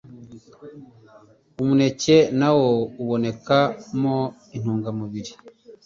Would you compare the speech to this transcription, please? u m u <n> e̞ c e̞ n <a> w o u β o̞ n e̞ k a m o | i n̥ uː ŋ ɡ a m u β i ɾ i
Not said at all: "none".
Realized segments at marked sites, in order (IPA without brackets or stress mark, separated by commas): n, a